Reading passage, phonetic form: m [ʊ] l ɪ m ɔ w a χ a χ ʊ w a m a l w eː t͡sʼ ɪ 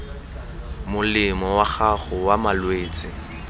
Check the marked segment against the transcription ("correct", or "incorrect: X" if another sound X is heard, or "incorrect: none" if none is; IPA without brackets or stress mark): correct